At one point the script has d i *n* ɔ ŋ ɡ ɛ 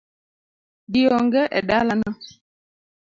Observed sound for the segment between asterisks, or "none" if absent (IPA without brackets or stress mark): none